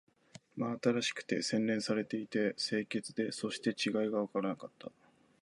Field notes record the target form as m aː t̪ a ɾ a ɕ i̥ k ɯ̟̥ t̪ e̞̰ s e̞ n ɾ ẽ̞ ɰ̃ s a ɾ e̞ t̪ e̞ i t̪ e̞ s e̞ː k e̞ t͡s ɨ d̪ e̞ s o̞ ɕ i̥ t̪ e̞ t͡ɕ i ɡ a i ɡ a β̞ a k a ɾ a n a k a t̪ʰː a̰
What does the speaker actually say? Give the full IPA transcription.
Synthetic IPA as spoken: m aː t̪ a ɾ a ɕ i̥ k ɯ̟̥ t̪ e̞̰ s ẽ̞ n ɾ ẽ̞ ɰ̃ s a ɾ e̞ t̪ e̞ i t̪ e̞ s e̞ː k e̞ t͡s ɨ d̪ e̞ s o̞ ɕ i̥ t̪ e̞ t͡ɕ i ɡ a i ɡ a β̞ a k a ɾ a n a k a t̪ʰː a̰